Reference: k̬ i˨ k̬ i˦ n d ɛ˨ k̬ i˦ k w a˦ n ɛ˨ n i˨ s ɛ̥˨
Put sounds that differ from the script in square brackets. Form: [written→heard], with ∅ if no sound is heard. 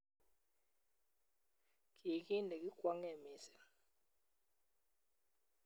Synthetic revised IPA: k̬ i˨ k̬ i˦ n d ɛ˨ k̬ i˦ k w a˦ [n→ŋ] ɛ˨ [n→m] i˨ s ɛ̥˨